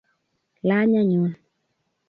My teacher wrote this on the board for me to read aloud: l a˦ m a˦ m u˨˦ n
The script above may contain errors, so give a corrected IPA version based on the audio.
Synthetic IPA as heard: l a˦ ɲ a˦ ɲ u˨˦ n